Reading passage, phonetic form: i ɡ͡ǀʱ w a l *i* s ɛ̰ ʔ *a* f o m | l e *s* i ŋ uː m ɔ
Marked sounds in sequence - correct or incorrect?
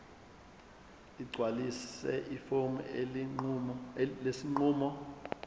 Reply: correct, incorrect, correct

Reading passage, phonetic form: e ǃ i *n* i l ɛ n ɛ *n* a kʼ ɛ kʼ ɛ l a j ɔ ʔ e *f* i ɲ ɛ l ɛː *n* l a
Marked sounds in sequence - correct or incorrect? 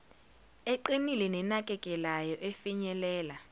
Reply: correct, correct, correct, incorrect

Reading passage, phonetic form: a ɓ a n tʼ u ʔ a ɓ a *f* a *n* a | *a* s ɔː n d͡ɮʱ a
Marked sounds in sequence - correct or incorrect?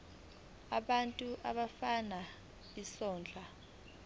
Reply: correct, correct, incorrect

